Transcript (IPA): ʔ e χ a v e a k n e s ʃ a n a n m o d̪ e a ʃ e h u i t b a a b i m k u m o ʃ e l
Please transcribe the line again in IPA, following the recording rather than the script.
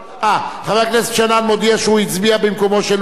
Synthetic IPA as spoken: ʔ a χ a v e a k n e s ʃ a n a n m o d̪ i a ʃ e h u i t͡s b i a b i m k o m o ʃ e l